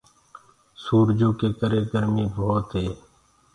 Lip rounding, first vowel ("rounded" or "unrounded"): rounded